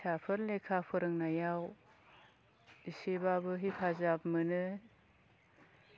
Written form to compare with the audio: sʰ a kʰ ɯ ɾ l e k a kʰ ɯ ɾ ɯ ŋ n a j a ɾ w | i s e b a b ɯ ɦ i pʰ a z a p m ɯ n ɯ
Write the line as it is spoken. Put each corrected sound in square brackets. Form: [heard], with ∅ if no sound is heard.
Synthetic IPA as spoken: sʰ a [pʰ] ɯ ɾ l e [kʰ] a [pʰ] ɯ ɾ ɯ ŋ n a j a [∅] w | i s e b a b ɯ ɦ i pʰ a z a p m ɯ n ɯ